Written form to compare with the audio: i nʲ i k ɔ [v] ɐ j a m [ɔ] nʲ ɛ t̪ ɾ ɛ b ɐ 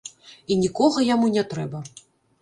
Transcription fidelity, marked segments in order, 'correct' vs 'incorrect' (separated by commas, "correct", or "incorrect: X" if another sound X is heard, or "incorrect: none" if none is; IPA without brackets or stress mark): incorrect: ɣ, incorrect: u